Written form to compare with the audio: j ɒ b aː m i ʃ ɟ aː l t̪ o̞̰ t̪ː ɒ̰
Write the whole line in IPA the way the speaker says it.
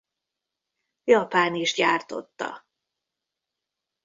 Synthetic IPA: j ɒ p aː n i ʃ ɟ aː r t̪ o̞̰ t̪ː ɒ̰